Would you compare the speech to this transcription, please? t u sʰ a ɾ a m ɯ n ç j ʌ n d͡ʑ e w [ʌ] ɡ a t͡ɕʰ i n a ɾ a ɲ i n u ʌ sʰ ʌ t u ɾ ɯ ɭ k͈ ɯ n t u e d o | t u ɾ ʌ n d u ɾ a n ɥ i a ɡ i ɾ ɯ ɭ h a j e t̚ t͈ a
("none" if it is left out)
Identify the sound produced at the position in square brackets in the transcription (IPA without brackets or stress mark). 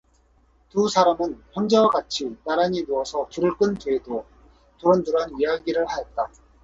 a